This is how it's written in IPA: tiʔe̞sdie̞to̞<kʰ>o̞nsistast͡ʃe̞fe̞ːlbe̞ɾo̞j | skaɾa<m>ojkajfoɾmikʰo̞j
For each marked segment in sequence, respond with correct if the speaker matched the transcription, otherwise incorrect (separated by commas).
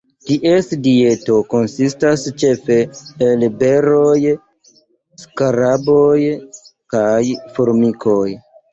incorrect, incorrect